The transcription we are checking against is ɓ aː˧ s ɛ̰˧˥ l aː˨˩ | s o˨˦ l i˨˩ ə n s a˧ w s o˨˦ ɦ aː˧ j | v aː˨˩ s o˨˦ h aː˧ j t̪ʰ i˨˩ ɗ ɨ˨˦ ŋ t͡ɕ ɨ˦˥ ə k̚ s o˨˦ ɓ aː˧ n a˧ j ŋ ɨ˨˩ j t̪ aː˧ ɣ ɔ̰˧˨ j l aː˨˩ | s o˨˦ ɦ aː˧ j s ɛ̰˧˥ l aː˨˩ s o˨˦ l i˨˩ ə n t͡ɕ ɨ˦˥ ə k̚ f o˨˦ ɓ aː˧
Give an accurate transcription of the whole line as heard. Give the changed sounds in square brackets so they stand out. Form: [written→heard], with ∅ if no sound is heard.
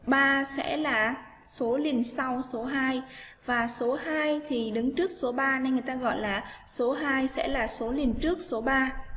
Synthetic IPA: ɓ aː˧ s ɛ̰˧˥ l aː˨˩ | s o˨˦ l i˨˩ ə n s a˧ w s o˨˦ ɦ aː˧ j | v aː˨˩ s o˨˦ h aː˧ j t̪ʰ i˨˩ ɗ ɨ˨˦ ŋ t͡ɕ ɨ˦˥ ə k̚ s o˨˦ ɓ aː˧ n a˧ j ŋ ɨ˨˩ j t̪ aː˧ ɣ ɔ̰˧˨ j l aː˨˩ | s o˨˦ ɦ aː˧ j s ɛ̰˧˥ l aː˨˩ s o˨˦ l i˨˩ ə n t͡ɕ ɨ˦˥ ə k̚ [f→s] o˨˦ ɓ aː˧